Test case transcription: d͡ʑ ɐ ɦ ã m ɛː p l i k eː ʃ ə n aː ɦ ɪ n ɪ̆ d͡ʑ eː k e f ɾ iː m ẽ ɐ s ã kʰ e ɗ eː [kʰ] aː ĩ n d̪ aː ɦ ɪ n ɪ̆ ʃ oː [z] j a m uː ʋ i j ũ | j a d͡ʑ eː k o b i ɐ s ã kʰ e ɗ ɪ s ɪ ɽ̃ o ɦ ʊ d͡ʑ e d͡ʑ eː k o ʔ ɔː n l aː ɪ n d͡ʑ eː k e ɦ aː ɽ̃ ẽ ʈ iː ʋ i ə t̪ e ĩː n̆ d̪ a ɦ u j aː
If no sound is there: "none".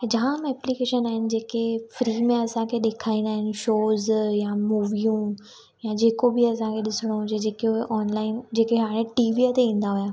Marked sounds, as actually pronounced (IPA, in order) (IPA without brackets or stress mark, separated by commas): kʰ, z